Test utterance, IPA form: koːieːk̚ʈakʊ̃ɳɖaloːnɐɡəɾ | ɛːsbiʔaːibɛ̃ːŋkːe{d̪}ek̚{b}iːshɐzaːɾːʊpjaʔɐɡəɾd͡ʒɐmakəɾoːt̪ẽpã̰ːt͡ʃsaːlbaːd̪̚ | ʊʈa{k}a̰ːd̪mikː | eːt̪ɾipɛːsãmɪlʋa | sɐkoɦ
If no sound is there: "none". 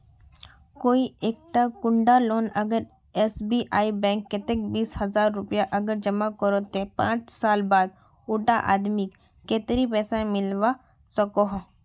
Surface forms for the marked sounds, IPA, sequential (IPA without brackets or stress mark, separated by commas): t̪, b, ʔ